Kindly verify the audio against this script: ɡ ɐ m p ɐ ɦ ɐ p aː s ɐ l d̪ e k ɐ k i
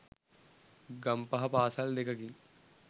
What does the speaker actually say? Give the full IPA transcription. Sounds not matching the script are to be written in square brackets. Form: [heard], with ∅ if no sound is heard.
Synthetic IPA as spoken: ɡ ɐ m p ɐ ɦ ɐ p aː s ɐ l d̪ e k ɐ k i